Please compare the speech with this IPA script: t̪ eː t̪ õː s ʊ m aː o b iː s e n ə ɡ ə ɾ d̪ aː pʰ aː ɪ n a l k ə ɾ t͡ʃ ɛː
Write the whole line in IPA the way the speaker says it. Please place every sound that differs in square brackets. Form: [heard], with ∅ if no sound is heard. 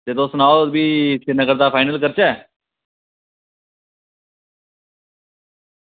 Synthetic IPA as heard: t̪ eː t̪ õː s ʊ [n] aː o b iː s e n ə ɡ ə ɾ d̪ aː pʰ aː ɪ n [ə] l k ə ɾ t͡ʃ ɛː